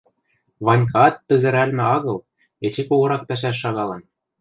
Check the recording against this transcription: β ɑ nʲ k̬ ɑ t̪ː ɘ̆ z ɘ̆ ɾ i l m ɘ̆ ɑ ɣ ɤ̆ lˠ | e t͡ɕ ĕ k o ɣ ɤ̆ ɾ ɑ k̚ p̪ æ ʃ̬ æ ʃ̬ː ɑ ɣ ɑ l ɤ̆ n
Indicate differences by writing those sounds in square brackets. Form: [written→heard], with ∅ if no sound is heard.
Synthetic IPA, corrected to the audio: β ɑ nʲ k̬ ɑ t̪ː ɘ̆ z ɘ̆ ɾ [i→æ] l m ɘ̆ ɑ ɣ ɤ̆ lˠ | e t͡ɕ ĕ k o ɣ ɤ̆ ɾ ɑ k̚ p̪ æ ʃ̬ æ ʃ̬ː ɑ ɣ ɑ l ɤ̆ n